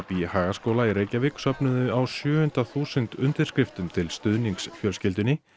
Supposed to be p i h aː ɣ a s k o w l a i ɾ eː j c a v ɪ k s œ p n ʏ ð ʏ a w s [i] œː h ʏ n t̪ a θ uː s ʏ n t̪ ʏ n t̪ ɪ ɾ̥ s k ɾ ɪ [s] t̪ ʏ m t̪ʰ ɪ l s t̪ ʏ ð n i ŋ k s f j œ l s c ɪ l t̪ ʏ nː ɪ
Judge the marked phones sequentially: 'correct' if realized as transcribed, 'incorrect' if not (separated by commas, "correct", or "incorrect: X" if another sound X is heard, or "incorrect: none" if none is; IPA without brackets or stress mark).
incorrect: j, incorrect: f